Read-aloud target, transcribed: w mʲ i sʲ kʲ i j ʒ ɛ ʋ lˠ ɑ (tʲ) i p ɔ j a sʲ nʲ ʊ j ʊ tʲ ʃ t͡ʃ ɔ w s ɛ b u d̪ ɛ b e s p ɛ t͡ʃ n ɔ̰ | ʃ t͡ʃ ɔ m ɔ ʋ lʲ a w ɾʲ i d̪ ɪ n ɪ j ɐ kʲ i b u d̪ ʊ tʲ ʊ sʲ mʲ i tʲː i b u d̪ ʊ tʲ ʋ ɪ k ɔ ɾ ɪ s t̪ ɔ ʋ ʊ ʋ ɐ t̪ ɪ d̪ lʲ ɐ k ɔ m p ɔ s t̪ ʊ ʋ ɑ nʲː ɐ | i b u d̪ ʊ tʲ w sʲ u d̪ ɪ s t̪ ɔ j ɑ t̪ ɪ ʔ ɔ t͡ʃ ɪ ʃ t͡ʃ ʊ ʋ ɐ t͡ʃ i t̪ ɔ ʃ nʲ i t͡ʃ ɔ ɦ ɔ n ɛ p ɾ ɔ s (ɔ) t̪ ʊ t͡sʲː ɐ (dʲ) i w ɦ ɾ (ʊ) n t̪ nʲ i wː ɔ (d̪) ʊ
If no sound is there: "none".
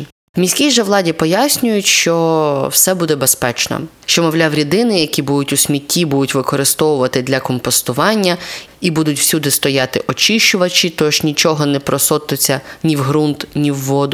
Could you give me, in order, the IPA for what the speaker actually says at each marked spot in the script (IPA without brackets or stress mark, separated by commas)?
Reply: dʲ, ɔ, nʲ, u, d̪